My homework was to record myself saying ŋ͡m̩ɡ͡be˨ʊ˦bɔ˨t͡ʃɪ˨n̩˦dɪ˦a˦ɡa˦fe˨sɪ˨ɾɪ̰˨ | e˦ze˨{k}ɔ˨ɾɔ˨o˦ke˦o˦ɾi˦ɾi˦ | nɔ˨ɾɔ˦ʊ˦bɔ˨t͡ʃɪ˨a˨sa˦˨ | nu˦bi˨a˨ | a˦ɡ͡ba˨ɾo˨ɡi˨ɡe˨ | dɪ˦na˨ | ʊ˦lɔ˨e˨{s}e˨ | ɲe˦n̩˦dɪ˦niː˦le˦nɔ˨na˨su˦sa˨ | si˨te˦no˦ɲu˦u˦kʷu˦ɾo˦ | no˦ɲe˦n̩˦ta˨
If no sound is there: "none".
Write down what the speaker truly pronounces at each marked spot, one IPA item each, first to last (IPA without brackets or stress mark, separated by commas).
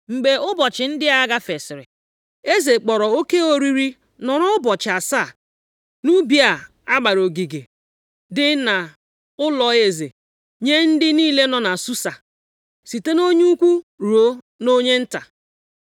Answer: k͡p, z